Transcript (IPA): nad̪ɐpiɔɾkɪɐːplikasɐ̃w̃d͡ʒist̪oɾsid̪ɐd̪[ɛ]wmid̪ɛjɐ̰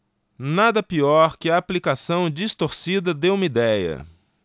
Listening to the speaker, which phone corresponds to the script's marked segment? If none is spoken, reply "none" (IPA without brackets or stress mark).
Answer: e